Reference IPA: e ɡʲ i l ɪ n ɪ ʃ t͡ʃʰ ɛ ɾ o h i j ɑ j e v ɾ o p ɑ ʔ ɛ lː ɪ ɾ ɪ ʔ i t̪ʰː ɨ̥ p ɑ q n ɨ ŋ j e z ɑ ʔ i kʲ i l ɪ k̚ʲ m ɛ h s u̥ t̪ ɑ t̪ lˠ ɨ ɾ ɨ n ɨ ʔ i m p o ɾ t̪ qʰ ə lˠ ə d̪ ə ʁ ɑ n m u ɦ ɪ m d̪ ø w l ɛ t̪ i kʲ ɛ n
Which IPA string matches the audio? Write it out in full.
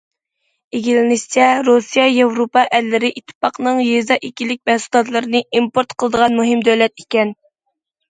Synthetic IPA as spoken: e ɡʲ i l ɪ n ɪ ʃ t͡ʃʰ ɛ ɾ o s i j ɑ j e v ɾ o p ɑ ʔ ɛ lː ɪ ɾ ɪ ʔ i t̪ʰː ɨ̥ p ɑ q n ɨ ŋ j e z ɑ ʔ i kʲ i l ɪ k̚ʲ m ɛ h s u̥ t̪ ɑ t̪ lˠ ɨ ɾ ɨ n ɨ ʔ i m p o ɾ t̪ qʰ ə lˠ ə d̪ ə ʁ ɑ n m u ɦ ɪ m d̪ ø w l ɛ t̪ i kʲ ɛ n